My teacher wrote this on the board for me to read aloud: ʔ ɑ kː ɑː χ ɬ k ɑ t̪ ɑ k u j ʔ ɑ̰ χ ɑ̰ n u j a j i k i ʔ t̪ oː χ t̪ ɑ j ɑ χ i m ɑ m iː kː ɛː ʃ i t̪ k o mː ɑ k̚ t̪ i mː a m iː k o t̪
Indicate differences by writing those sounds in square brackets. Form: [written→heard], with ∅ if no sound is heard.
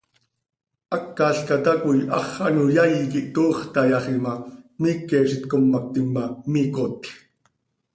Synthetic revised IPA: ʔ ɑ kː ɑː [χ→∅] ɬ k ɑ t̪ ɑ k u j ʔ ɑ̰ χ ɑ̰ n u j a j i k i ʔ t̪ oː χ t̪ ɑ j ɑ χ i m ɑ m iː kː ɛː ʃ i t̪ k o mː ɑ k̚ t̪ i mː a m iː k o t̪

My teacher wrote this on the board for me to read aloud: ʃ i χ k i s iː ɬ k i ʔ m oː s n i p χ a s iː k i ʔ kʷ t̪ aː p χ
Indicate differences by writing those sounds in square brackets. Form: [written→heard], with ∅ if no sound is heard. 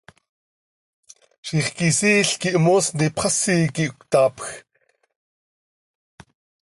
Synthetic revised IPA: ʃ i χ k i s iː ɬ k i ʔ m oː s n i p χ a s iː k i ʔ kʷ t̪ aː p [χ→x]

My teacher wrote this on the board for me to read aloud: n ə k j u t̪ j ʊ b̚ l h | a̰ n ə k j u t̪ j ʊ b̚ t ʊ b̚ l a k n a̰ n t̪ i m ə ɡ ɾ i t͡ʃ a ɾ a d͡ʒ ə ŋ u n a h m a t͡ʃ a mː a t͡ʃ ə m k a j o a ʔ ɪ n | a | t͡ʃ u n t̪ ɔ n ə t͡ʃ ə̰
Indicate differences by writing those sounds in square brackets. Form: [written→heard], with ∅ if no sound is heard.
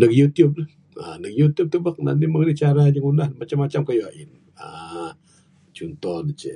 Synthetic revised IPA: n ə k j u t̪ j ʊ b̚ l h | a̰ n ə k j u t̪ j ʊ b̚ t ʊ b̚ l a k n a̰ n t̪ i m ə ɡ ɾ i t͡ʃ a ɾ a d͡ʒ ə ŋ u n a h m a t͡ʃ a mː a t͡ʃ [ə→a] m k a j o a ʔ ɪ n | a | t͡ʃ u n t̪ ɔ n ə t͡ʃ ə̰

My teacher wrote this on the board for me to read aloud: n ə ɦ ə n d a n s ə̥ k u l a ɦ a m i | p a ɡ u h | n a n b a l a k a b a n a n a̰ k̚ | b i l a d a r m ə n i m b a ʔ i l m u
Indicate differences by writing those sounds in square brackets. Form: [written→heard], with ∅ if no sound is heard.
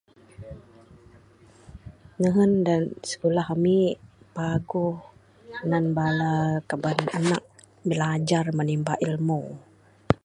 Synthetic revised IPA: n ə ɦ ə n d a n s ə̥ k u l a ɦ a m i | p a ɡ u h | n a n b a l a k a b a n a n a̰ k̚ | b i l a [d→d͡ʒ] a r m ə n i m b a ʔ i l m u

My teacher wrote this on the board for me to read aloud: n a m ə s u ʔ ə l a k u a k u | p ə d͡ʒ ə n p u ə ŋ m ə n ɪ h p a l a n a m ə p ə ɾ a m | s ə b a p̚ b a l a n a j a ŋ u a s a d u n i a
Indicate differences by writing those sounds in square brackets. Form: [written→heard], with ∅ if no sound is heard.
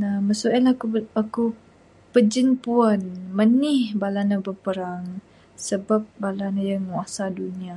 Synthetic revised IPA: n a m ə s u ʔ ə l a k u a k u | p ə d͡ʒ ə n p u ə [ŋ→n] m ə n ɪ h [p→b] a l a n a [m→b] ə p ə ɾ a [m→ŋ] | s ə b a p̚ b a l a n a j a ŋ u a s a d u n i a

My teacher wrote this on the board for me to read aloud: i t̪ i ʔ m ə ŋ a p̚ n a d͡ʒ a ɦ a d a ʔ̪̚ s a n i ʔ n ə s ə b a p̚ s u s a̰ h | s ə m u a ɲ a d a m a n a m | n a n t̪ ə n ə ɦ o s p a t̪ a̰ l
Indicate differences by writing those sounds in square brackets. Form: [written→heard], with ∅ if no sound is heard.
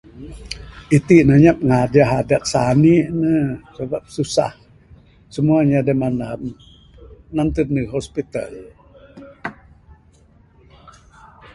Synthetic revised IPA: i t̪ i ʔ [m→n] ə [ŋ→ɲ] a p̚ [n→ŋ] a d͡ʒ a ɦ a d a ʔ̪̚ s a n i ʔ n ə s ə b a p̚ s u s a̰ h | s ə m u a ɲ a d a m a n a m | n a n t̪ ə n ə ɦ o s p [a→i] t̪ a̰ l

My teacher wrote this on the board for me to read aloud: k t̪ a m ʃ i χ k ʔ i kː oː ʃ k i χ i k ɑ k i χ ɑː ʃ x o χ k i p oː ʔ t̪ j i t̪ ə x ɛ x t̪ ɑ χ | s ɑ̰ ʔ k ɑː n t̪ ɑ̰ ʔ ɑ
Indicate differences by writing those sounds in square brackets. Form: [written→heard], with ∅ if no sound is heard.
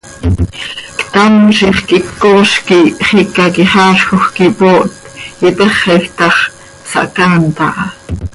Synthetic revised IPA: k t̪ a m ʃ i χ k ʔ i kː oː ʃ k i χ i k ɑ k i χ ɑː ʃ x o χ k i p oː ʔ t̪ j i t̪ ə [x→χ] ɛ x t̪ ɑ χ | s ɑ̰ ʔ k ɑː n t̪ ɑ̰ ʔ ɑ

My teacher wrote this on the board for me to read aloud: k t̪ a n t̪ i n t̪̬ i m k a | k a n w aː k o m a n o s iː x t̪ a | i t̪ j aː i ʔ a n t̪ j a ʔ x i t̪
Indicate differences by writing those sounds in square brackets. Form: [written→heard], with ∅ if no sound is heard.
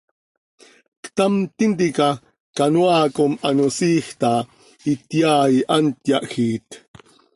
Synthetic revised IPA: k t̪ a [n→m] t̪ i n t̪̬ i [m→∅] k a | k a n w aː k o m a n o s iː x t̪ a | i t̪ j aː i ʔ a n t̪ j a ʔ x i t̪

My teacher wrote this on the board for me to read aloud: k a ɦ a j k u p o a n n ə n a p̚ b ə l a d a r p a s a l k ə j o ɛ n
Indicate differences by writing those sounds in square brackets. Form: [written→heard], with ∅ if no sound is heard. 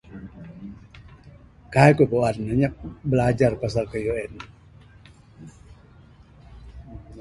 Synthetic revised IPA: k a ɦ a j k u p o a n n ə [n→ɲ] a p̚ b ə l a [d→d͡ʒ] a r p a s a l k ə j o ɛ n

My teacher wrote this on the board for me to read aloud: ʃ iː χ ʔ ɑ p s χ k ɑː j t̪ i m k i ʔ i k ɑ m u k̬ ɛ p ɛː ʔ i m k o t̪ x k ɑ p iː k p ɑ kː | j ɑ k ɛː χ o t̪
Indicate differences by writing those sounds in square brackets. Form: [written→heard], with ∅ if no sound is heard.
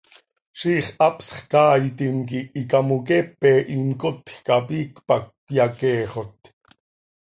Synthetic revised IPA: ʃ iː χ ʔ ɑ p s χ k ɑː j t̪ i m k i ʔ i k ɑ m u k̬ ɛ p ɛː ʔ i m k o t̪ x k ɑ p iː k p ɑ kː | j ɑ k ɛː χ o t̪

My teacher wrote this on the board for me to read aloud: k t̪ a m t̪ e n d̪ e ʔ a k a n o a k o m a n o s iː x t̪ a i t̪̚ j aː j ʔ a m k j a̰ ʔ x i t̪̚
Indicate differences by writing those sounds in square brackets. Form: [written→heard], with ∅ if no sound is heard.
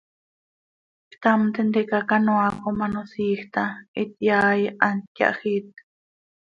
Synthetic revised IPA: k t̪ a m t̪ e n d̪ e [ʔ→k] a k a n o a k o m a n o s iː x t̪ a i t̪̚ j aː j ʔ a [m→n] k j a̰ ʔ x i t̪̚

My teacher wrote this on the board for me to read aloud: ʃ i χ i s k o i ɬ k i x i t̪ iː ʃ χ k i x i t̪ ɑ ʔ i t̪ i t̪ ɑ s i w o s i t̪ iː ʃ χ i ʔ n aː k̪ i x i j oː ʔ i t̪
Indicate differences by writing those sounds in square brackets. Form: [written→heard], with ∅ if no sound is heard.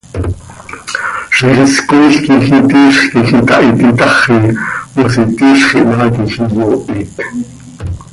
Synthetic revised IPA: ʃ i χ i s k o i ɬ k i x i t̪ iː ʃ χ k i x i t̪ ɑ ʔ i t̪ i t̪ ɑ [s→χ] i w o s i t̪ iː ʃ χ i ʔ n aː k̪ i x i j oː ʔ i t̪

